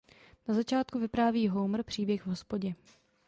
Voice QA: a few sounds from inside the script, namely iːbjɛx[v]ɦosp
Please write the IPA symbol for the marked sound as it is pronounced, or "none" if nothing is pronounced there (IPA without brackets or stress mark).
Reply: v